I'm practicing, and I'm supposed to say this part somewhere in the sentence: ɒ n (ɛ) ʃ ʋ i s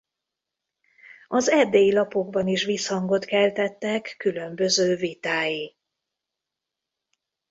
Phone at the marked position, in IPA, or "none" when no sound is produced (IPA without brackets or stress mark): i